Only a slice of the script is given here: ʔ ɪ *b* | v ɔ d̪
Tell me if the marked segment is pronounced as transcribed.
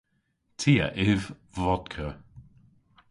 no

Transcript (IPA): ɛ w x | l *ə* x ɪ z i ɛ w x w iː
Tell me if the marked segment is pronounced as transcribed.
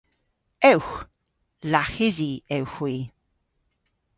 no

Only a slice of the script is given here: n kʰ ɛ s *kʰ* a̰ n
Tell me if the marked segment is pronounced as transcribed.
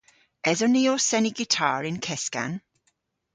no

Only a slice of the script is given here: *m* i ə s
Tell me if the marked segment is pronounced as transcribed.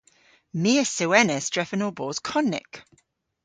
yes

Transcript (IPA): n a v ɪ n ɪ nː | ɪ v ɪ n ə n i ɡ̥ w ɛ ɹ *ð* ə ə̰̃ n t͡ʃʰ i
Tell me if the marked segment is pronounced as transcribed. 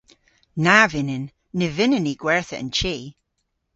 no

